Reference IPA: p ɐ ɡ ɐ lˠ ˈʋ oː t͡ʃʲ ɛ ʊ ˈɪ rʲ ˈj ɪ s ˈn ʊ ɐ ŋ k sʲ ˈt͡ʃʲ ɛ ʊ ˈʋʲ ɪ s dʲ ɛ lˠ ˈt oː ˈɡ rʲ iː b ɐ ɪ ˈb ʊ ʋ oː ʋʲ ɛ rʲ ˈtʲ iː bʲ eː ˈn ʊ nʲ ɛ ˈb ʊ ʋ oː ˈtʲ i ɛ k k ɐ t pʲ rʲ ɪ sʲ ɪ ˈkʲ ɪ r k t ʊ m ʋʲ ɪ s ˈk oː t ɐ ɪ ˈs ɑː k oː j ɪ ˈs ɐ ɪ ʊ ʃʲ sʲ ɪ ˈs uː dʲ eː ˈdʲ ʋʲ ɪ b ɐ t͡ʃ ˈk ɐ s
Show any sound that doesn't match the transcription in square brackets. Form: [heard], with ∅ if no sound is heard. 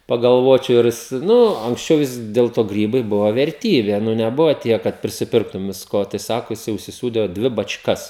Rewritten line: p ɐ ɡ ɐ lˠ ˈʋ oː t͡ʃʲ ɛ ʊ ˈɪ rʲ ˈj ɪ s ˈn ʊ ɐ ŋ k sʲ ˈt͡ʃʲ ɛ ʊ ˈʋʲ ɪ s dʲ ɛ lˠ ˈt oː ˈɡ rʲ iː b ɐ ɪ ˈb ʊ ʋ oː ʋʲ ɛ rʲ ˈtʲ iː bʲ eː ˈn ʊ nʲ ɛ ˈb ʊ ʋ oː ˈtʲ i ɛ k k ɐ t pʲ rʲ ɪ sʲ ɪ [ˈpʲ] ɪ r k t ʊ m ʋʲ ɪ s ˈk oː t ɐ ɪ ˈs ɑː k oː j ɪ ˈs ɐ ɪ ʊ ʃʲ sʲ ɪ ˈs uː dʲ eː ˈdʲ ʋʲ ɪ b ɐ t͡ʃ ˈk ɐ s

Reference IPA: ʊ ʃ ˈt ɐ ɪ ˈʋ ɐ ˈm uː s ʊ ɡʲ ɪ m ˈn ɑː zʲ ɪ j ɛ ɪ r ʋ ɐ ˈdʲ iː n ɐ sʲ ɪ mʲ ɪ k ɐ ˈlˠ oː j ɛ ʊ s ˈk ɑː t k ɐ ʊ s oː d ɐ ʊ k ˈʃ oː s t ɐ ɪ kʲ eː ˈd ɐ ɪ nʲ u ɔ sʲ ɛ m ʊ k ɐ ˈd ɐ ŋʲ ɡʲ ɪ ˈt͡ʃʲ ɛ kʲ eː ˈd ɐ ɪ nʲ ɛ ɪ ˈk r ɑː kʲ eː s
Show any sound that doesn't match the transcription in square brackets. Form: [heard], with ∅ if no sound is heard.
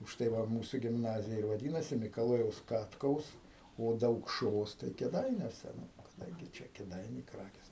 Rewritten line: ʊ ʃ ˈt ɐ ɪ ˈʋ ɐ ˈm uː s ʊ ɡʲ ɪ m ˈn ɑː zʲ ɪ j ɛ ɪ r ʋ ɐ ˈdʲ iː n ɐ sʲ ɪ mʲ ɪ k ɐ ˈlˠ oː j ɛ ʊ s ˈk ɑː t k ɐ ʊ s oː d ɐ ʊ k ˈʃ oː s t ɐ ɪ kʲ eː ˈd ɐ ɪ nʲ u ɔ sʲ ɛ [n] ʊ k ɐ ˈd ɐ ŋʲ ɡʲ ɪ ˈt͡ʃʲ ɛ kʲ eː ˈd ɐ ɪ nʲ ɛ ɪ ˈk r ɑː kʲ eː s

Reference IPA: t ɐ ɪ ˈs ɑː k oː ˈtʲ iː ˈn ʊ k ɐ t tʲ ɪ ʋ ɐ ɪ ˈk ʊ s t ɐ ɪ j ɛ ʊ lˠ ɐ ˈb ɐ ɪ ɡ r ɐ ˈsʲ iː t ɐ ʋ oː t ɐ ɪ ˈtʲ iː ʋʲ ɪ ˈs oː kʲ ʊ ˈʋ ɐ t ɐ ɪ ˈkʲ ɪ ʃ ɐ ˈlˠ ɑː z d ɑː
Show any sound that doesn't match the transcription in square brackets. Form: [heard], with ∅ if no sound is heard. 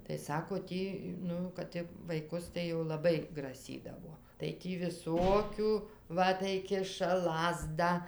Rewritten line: t ɐ ɪ ˈs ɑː k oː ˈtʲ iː ˈn ʊ k ɐ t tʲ ɪ ʋ ɐ ɪ ˈk ʊ s t ɐ ɪ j ɛ ʊ lˠ ɐ ˈb ɐ ɪ ɡ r ɐ ˈsʲ iː [d] ɐ ʋ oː t ɐ ɪ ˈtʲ iː ʋʲ ɪ ˈs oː kʲ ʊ ˈʋ ɐ t ɐ ɪ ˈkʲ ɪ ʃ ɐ ˈlˠ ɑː z d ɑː

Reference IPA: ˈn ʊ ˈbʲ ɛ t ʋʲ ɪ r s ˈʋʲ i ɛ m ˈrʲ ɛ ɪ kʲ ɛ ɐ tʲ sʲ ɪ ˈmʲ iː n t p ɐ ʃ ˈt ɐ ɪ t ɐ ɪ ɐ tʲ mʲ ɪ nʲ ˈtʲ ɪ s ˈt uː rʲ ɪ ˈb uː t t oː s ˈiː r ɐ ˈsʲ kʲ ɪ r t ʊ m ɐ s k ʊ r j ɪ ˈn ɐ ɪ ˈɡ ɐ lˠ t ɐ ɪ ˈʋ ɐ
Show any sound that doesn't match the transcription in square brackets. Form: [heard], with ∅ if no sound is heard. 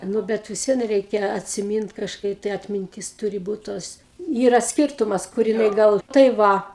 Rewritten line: ˈn ʊ ˈbʲ ɛ t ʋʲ ɪ [∅] s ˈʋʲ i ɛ [n] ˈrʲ ɛ ɪ kʲ ɛ ɐ tʲ sʲ ɪ ˈmʲ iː n t [k] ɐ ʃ [ˈk] ɐ ɪ t ɐ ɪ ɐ tʲ mʲ ɪ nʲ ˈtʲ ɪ s ˈt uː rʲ ɪ ˈb uː t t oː s ˈiː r ɐ ˈsʲ kʲ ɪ r t ʊ m ɐ s k ʊ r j ɪ ˈn ɐ ɪ ˈɡ ɐ lˠ t ɐ ɪ ˈʋ ɐ

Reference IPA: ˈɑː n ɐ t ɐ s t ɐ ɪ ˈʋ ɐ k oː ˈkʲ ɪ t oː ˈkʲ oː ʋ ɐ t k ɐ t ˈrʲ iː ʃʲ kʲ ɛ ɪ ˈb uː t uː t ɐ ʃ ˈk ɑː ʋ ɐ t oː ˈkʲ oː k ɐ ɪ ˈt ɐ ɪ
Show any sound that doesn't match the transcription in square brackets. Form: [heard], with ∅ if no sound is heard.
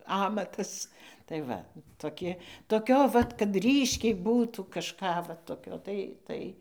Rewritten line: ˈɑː [m] ɐ t ɐ s t ɐ ɪ ˈʋ ɐ [t] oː ˈkʲ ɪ t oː ˈkʲ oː ʋ ɐ t k ɐ t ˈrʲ iː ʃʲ kʲ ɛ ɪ ˈb uː t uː [k] ɐ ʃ ˈk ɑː ʋ ɐ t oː ˈkʲ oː [t] ɐ ɪ ˈt ɐ ɪ

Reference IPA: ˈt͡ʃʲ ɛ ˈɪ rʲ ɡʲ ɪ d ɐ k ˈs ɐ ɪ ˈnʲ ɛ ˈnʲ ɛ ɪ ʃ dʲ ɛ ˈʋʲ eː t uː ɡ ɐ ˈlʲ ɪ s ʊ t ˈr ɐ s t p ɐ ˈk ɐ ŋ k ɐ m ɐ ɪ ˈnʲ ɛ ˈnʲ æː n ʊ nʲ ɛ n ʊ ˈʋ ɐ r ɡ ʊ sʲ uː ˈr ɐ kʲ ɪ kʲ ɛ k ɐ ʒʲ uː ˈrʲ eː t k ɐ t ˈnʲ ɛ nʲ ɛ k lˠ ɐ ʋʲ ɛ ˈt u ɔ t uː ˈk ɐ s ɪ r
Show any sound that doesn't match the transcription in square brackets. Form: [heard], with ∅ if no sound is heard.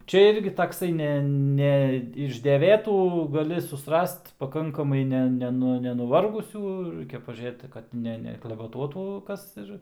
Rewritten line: ˈt͡ʃʲ ɛ ˈɪ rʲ ɡʲ ɪ [t] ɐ k ˈs ɐ ɪ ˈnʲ ɛ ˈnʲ ɛ ɪ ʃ dʲ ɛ ˈʋʲ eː t uː ɡ ɐ ˈlʲ ɪ s ʊ [s] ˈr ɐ s t p ɐ ˈk ɐ ŋ k ɐ m ɐ ɪ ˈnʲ ɛ ˈnʲ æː n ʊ nʲ ɛ n ʊ ˈʋ ɐ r ɡ ʊ sʲ uː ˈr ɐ [∅] ɪ kʲ ɛ [p] ɐ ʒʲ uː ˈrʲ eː t k ɐ t ˈnʲ ɛ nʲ ɛ k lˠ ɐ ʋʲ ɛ ˈt u ɔ t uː ˈk ɐ s ɪ r

